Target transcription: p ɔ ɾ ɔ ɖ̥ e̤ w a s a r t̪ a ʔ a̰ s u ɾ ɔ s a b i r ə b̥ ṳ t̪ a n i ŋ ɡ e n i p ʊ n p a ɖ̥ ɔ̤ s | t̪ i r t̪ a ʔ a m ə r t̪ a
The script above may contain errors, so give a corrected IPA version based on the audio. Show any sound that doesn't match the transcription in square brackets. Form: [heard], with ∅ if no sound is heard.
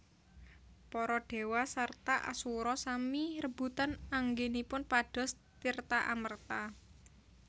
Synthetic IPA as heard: p ɔ ɾ ɔ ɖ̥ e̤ w a s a r t̪ a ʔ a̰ s u ɾ ɔ s a [m] i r ə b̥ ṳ t̪ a n [a] ŋ ɡ e n i p ʊ n p a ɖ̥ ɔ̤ s | t̪ i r t̪ a ʔ a m ə r t̪ a